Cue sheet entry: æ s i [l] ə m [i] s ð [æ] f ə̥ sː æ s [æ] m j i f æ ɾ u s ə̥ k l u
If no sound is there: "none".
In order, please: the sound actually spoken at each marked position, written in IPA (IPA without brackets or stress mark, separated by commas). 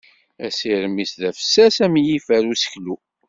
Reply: ɾ, i, æ, æ